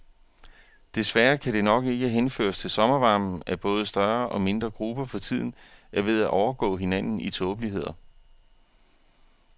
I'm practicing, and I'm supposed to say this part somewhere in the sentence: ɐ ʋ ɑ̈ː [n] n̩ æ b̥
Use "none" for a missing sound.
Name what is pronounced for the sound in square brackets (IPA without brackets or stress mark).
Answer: m